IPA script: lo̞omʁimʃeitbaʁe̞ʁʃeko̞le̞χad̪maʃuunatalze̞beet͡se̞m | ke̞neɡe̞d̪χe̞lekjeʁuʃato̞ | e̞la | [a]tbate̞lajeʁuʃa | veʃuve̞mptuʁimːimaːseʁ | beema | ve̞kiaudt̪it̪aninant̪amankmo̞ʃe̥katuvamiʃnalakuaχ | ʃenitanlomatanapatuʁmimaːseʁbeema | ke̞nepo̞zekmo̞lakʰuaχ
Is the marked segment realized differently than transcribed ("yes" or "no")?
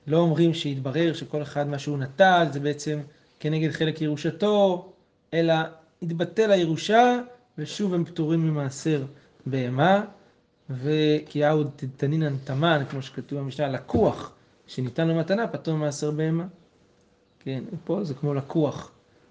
yes